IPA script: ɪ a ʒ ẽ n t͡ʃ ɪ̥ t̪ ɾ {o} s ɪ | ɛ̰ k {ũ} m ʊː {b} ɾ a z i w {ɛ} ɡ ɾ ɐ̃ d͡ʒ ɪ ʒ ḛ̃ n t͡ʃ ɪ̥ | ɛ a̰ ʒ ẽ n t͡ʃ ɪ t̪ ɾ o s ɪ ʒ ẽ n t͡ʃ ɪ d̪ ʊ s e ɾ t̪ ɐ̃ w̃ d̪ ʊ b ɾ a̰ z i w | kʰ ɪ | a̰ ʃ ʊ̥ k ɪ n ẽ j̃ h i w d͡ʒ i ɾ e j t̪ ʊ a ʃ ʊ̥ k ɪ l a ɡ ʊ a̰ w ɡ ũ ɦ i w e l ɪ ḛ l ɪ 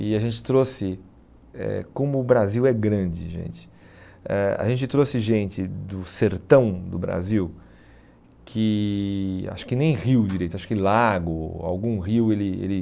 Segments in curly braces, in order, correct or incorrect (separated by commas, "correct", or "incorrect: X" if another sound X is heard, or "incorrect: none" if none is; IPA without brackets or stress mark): correct, incorrect: õ, correct, correct